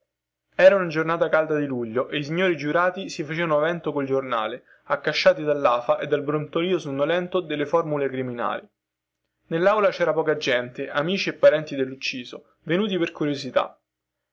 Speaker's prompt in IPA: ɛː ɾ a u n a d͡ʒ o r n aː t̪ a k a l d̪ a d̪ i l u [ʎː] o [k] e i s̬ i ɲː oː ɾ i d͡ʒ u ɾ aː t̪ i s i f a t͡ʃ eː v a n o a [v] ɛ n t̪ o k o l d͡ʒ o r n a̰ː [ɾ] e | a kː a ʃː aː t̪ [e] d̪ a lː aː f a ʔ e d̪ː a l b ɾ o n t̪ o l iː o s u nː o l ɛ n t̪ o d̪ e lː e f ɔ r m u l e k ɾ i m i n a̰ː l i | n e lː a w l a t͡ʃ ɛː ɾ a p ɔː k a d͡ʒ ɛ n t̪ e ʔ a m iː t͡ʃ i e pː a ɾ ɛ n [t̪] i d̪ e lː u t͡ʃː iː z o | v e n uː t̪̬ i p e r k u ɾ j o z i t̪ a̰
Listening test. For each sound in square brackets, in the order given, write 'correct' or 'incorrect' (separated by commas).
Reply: correct, incorrect, correct, incorrect, incorrect, correct